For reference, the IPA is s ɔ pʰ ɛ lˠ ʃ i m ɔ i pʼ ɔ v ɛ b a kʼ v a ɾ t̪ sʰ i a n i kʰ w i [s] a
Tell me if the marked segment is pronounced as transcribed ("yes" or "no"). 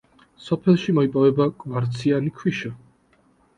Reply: no